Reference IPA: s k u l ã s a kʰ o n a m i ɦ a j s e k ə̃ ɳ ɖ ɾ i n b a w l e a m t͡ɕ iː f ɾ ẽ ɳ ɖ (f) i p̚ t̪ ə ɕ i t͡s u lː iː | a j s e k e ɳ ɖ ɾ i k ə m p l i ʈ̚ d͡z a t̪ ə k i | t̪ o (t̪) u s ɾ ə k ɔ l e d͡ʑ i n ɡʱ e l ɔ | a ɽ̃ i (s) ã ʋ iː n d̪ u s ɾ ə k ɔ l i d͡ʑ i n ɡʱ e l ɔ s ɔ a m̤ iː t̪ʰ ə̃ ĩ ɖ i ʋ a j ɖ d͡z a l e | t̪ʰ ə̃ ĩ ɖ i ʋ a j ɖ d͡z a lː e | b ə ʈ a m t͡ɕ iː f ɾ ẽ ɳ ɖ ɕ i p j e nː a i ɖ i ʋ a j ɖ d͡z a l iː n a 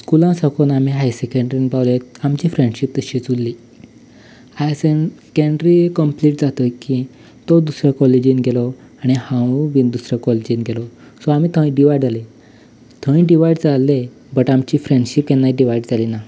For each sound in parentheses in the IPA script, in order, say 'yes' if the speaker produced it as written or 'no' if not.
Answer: no, no, no

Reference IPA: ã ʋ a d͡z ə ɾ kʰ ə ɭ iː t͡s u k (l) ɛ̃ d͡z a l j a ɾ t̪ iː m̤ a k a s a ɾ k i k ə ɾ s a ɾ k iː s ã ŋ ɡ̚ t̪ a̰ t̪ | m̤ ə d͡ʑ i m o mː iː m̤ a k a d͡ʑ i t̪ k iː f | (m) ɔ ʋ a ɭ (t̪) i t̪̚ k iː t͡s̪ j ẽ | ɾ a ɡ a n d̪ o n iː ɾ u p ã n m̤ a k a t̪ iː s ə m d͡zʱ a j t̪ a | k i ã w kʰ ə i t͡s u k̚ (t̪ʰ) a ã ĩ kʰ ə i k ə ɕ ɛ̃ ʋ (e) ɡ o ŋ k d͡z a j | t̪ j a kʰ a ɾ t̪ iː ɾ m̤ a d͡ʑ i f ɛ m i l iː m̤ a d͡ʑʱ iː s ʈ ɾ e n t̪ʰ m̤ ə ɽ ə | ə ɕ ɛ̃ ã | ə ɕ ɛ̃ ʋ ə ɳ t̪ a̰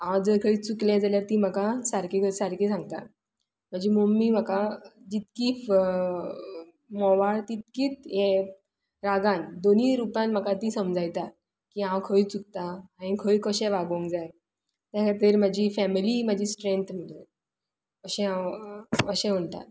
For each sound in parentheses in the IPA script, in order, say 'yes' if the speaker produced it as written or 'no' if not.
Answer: yes, yes, yes, no, no

